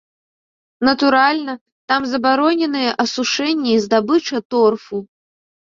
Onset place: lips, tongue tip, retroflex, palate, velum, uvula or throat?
tongue tip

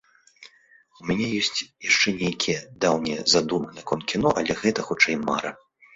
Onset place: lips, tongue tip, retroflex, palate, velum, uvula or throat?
lips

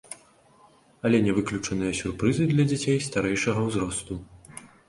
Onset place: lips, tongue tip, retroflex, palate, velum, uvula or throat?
tongue tip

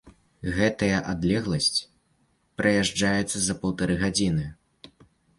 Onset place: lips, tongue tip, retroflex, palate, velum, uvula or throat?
velum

